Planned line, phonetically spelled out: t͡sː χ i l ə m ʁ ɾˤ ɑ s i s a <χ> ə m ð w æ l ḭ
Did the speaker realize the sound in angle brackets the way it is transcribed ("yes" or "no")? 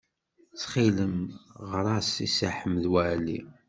no